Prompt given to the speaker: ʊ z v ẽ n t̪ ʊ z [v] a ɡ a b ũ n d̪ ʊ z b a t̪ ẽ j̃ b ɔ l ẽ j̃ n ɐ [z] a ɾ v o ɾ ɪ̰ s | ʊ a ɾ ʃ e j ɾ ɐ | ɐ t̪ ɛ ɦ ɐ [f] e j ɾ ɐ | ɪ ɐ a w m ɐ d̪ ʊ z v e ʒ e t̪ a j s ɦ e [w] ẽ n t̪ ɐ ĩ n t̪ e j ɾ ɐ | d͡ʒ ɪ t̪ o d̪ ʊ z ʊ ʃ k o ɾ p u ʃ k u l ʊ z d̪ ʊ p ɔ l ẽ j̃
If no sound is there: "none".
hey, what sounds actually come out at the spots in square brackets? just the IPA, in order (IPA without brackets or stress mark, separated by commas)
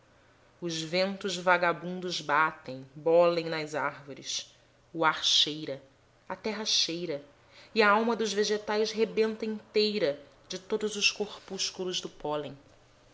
v, z, ʃ, b